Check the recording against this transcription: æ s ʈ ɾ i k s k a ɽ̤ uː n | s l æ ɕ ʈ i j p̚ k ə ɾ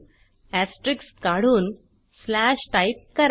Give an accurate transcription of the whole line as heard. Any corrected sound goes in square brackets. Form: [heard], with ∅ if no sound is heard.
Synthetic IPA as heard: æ s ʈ ɾ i k s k a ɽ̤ uː n | s l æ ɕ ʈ [a] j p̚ k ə ɾ